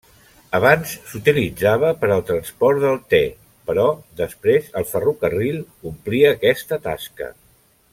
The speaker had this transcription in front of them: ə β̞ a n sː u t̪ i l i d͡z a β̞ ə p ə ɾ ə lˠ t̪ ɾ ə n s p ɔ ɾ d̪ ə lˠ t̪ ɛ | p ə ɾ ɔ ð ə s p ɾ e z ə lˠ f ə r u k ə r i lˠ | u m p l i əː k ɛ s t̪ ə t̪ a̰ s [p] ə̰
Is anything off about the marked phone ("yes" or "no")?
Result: yes